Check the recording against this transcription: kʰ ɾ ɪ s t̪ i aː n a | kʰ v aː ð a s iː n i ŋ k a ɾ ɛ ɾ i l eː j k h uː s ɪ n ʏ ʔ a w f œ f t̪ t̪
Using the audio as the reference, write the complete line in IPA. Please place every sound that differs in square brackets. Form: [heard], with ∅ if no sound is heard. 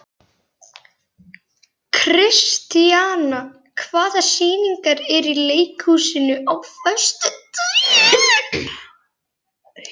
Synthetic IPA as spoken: kʰ ɾ ɪ s t̪ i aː n a | kʰ v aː ð a s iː n i ŋ k a ɾ ɛ ɾ i l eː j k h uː s ɪ n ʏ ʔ a w f œ [s] t̪ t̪